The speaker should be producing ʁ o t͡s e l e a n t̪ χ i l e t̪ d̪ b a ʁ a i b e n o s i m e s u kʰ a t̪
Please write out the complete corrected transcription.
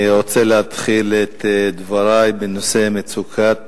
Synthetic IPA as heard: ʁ o t͡s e l e a t̪ χ i l e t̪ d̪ v a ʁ a j b e n o s e m e t͡s u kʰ a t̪